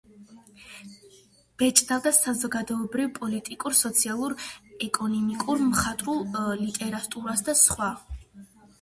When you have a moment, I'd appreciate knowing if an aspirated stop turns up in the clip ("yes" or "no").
no